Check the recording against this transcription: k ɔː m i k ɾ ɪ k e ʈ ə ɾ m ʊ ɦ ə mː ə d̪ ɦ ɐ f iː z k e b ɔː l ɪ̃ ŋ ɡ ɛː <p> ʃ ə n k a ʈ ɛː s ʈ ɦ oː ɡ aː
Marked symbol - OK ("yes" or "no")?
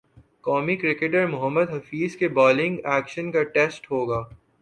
no